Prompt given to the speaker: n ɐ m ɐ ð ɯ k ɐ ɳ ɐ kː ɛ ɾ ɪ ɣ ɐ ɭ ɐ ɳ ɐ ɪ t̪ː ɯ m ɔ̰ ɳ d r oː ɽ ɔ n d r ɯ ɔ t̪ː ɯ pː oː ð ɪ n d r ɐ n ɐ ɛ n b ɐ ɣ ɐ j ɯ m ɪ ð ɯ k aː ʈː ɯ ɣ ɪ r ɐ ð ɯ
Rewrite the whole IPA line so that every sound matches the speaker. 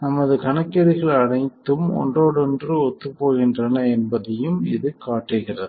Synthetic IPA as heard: n ɐ m ɐ ð ɯ k ɐ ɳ ɐ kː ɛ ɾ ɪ ɣ ɐ ɭ ɐ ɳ ɐ ɪ t̪ː ɯ m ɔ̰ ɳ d r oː ɽ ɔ n d r ɯ ɔ t̪ː ɯ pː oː ɣ ɪ n d r ɐ n ɐ ɛ n b ɐ ð ɐ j ɯ m ɪ ð ɯ k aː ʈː ɯ ɣ ɪ r ɐ ð ɯ